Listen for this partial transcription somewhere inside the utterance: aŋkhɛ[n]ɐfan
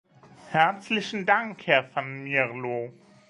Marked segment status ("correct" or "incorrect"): incorrect